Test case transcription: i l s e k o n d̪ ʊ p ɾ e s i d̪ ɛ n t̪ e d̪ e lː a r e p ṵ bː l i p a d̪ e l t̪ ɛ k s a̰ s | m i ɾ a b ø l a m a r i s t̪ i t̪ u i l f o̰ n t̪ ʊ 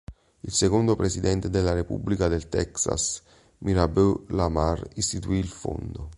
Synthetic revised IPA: i l s e k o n d̪ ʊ p ɾ e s i d̪ ɛ n t̪ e d̪ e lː a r e p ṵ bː l i k a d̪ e l t̪ ɛ k s a̰ s | m i ɾ a b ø l a m a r i s t̪ i t̪ u i l f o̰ n d̪ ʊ